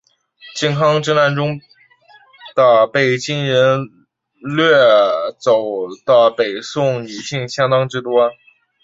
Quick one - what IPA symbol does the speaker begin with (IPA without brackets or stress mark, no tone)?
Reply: t͡ɕ